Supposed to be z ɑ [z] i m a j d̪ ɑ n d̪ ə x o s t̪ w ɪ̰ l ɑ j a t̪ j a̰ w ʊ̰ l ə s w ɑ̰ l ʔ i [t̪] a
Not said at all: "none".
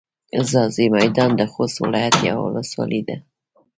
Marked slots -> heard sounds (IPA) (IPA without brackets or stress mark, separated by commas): z, d̪